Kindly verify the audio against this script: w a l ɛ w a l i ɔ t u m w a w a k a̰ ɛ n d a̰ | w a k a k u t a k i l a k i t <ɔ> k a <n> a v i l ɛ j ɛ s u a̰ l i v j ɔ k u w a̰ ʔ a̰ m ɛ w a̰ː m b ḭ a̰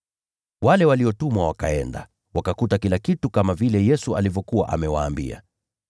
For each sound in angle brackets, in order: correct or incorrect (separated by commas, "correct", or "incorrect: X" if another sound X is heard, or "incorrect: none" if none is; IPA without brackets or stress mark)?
incorrect: u, incorrect: m